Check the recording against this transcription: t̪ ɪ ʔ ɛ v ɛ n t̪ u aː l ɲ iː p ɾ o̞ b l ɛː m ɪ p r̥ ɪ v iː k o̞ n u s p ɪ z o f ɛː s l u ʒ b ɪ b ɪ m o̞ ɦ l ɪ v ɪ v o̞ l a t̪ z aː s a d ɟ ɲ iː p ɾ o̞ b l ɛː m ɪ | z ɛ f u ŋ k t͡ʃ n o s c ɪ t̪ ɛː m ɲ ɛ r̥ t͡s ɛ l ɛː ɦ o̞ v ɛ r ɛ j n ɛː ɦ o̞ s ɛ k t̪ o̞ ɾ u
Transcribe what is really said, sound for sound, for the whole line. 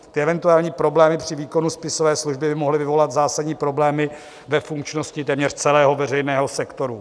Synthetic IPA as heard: t̪ ɪ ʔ ɛ v ɛ n t̪ u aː l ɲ iː p ɾ o̞ b l ɛː m ɪ p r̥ ɪ v iː k o̞ n u s p ɪ s o v ɛː s l u ʒ b ɪ b ɪ m o̞ ɦ l ɪ v ɪ v o̞ l a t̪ z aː s a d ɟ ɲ iː p ɾ o̞ b l ɛː m ɪ | v ɛ f u ŋ k t͡ʃ n o s c ɪ t̪ ɛː m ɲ ɛ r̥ t͡s ɛ l ɛː ɦ o̞ v ɛ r ɛ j n ɛː ɦ o̞ s ɛ k t̪ o̞ ɾ u

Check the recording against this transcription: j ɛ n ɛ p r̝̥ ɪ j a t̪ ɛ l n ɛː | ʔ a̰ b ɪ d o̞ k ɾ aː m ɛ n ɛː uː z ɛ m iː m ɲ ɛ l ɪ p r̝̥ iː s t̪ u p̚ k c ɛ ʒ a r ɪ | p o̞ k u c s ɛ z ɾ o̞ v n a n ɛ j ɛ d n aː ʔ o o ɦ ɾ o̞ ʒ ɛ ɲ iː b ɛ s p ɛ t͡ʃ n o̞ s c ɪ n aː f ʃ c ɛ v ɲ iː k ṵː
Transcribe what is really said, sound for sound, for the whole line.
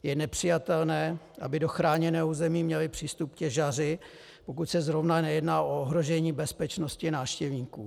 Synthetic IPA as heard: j ɛ n ɛ p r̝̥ ɪ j a t̪ ɛ l n ɛː | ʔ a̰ b ɪ d o̞ x ɾ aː ɲ ɛ n ɛː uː z ɛ m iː m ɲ ɛ l ɪ p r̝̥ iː s t̪ u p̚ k c ɛ ʒ a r ɪ | p o̞ k u c s ɛ z ɾ o̞ v n a n ɛ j ɛ d n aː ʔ o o ɦ ɾ o̞ ʒ ɛ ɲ iː b ɛ s p ɛ t͡ʃ n o̞ s c ɪ n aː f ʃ c ɛ v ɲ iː k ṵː

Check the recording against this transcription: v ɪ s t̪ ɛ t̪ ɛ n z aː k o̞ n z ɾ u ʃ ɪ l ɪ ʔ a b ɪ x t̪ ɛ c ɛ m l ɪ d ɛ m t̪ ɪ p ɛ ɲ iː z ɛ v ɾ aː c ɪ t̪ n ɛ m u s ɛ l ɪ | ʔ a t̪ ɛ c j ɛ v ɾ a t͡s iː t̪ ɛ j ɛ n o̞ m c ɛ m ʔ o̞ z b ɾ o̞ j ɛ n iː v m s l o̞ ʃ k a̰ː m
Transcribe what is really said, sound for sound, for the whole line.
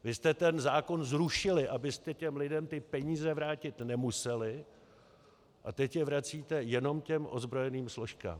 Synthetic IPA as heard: v ɪ s t̪ ɛ t̪ ɛ n z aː k o̞ n z ɾ u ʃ ɪ l ɪ ʔ a b ɪ s t̪ ɛ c ɛ m l ɪ d ɛ m t̪ ɪ p ɛ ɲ iː z ɛ v ɾ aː c ɪ t̪ n ɛ m u s ɛ l ɪ | ʔ a t̪ ɛ c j ɛ v ɾ a t͡s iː t̪ ɛ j ɛ n o̞ m c ɛ m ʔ o̞ z b ɾ o̞ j ɛ n iː m s l o̞ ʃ k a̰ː m

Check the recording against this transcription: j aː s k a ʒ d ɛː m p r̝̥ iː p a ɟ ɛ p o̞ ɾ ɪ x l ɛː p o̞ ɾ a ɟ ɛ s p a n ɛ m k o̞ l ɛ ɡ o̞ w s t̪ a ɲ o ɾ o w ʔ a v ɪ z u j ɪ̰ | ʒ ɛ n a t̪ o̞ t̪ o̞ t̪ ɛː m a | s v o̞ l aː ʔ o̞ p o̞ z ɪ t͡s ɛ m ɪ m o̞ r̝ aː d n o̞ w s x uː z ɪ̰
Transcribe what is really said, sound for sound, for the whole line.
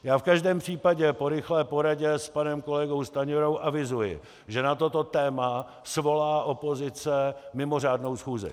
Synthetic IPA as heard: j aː f k a ʒ d ɛː m p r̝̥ iː p a ɟ ɛ p o̞ ɾ ɪ x l ɛː p o̞ ɾ a ɟ ɛ s p a n ɛ m k o̞ l ɛ ɡ o̞ w s t̪ a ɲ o ɾ o w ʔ a v ɪ z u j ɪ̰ | ʒ ɛ n a t̪ o̞ t̪ o̞ t̪ ɛː m a | s v o̞ l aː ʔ o̞ p o̞ z ɪ t͡s ɛ m ɪ m o̞ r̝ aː d n o̞ w s x uː z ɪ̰

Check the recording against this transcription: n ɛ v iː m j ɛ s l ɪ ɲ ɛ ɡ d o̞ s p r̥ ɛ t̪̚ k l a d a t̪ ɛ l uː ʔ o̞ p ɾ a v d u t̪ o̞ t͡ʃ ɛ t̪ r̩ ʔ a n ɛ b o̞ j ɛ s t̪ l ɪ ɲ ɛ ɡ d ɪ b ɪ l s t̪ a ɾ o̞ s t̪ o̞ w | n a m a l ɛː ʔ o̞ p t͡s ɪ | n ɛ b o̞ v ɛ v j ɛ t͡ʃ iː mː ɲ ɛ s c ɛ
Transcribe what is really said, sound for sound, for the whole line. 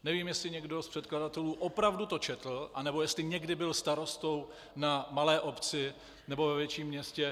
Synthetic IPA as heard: n ɛ v iː m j ɛ s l ɪ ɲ ɛ ɡ d o̞ s p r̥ ɛ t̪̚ k l a d a t̪ ɛ l uː ʔ o̞ p ɾ a v d u t̪ o̞ t͡ʃ ɛ t̪ l̩ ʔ a n ɛ b o̞ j ɛ s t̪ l ɪ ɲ ɛ ɡ d ɪ b ɪ l s t̪ a ɾ o̞ s t̪ o̞ w | n a m a l ɛː ʔ o̞ p t͡s ɪ | n ɛ b o̞ v ɛ v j ɛ t͡ʃ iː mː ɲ ɛ s c ɛ

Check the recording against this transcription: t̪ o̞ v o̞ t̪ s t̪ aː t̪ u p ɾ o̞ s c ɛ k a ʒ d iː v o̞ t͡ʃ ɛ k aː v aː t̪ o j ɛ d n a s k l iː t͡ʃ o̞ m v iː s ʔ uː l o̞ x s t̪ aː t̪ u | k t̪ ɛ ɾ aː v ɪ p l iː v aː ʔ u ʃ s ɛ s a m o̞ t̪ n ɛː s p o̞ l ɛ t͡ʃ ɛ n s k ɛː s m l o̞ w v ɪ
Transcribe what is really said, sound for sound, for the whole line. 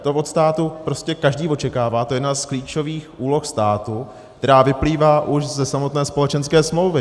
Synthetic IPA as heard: t̪ o̞ v o̞ t̪ s t̪ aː t̪ u p ɾ o̞ s c ɛ k a ʒ d iː v o̞ t͡ʃ ɛ k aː v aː t̪ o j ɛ d n a s k l iː t͡ʃ o̞ v iː x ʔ uː l o̞ x s t̪ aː t̪ u | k t̪ ɛ ɾ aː v ɪ p l iː v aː ʔ u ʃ z ɛ s a m o̞ t̪ n ɛː s p o̞ l ɛ t͡ʃ ɛ n s k ɛː s m l o̞ w v ɪ

